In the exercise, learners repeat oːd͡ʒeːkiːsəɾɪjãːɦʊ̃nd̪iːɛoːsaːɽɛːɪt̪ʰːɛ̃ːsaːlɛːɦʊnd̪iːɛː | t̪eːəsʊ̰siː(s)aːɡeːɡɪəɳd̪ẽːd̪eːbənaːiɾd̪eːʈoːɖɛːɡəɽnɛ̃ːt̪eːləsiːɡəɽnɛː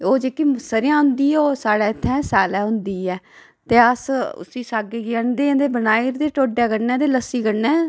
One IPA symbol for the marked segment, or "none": s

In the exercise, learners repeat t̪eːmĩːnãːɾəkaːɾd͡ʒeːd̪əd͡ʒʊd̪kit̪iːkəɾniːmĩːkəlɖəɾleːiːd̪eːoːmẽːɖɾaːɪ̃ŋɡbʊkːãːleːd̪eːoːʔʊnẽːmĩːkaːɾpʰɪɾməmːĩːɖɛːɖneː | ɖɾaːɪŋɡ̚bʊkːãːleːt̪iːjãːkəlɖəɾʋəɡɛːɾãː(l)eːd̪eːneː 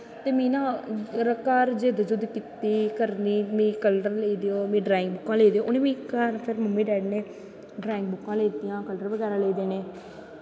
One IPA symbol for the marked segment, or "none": l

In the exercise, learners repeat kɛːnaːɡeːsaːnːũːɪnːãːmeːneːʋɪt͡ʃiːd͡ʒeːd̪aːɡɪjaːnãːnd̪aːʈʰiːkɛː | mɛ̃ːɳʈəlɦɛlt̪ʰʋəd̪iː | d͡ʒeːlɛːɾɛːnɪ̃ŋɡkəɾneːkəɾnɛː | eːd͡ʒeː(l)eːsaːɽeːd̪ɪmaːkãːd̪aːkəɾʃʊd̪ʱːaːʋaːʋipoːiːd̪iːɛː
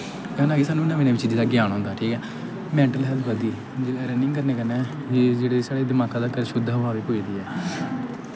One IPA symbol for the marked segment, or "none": ɽ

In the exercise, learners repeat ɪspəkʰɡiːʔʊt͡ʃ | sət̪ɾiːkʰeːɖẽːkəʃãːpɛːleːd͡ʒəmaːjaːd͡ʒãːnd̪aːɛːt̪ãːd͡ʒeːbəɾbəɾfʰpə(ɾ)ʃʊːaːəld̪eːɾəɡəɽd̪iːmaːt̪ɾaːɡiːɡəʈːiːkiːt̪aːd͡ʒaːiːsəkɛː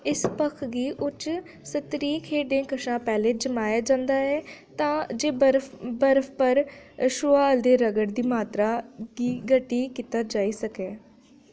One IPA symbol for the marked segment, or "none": ɾ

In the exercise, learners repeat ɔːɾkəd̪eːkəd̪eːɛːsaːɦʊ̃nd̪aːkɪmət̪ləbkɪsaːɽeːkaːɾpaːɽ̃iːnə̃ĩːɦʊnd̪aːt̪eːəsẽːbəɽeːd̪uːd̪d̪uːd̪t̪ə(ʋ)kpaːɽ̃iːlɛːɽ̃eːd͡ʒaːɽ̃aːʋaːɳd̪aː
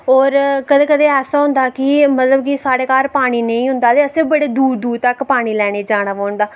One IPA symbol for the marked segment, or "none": none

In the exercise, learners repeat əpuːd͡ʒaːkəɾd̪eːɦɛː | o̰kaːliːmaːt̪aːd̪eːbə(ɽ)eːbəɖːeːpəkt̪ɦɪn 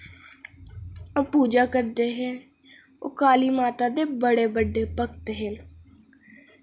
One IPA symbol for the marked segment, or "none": ɽ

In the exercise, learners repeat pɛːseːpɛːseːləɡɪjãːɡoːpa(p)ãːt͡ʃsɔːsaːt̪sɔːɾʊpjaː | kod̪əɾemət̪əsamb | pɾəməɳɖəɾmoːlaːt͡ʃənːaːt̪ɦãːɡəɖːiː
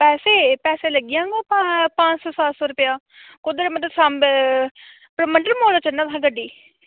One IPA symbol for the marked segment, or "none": p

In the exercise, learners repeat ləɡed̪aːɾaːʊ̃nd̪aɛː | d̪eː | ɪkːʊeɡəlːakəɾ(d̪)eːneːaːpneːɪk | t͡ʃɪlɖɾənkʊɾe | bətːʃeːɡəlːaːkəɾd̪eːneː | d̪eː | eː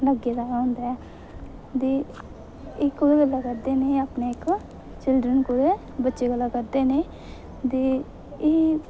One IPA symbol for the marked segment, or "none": d̪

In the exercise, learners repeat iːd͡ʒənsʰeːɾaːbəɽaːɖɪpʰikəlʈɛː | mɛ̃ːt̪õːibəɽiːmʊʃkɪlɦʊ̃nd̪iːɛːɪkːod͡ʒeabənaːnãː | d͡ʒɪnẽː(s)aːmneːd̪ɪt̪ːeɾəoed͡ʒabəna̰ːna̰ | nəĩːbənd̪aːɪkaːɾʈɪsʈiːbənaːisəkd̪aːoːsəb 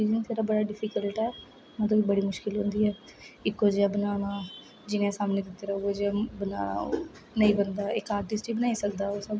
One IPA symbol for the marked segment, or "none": s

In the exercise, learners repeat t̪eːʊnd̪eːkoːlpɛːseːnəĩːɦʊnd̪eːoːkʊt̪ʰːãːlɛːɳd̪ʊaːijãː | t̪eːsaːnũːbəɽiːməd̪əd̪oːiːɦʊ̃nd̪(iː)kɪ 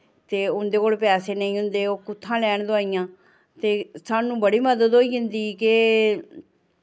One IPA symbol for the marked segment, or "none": iː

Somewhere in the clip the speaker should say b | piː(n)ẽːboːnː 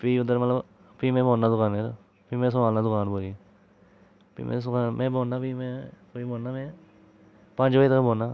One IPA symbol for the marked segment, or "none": m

